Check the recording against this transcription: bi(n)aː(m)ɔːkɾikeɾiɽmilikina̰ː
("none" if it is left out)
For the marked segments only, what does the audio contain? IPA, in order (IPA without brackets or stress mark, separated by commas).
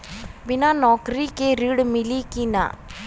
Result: n, n